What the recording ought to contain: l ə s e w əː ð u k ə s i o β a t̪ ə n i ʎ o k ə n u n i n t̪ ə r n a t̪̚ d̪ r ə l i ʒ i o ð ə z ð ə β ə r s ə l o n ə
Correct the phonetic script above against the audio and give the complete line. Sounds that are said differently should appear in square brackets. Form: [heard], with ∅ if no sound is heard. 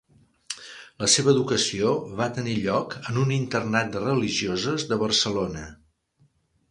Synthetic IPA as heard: l ə s e [β] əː ð u k ə s i o β a t̪ ə n i ʎ [ɔ] k ə n u n i n t̪ ə r n a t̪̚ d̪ r ə l i ʒ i o [z] ə z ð ə β ə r s ə l o n ə